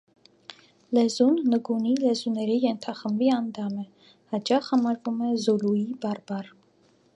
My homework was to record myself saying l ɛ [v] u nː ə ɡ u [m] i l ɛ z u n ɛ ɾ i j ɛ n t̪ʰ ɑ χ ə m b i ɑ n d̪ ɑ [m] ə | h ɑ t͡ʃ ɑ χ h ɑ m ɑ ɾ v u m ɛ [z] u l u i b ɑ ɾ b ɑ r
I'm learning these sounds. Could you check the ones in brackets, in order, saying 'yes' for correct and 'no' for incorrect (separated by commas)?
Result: no, no, yes, yes